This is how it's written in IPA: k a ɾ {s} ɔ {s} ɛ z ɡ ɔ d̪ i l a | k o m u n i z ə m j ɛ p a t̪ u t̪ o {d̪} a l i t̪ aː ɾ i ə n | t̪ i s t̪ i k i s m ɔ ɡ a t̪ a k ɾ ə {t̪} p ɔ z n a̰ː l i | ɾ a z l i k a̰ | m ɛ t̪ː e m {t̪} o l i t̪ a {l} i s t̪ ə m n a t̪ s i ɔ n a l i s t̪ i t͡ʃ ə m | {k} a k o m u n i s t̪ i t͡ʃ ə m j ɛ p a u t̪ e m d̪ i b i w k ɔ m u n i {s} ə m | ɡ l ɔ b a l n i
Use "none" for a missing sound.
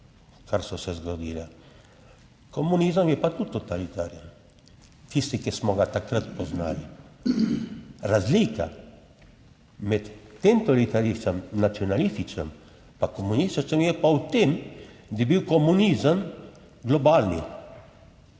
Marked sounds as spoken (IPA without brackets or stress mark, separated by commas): s, s, t̪, t̪, t̪, ɾ, p, z